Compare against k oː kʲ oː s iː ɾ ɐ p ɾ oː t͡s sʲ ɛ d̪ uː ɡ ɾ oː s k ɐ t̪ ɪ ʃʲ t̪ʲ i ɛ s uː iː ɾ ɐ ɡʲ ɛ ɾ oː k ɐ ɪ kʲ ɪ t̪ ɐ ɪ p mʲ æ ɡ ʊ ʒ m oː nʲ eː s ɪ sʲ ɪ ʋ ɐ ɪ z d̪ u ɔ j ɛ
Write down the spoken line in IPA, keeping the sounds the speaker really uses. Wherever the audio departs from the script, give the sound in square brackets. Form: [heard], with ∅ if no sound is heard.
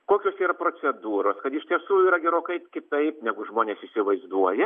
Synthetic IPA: k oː kʲ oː s iː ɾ ɐ p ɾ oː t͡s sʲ ɛ d̪ uː [∅] ɾ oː s k ɐ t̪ ɪ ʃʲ t̪ʲ i ɛ s uː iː ɾ ɐ ɡʲ ɛ ɾ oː k ɐ ɪ kʲ ɪ t̪ ɐ ɪ p [nʲ] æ ɡ ʊ ʒ m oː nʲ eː s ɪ sʲ ɪ ʋ ɐ ɪ z d̪ u ɔ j ɛ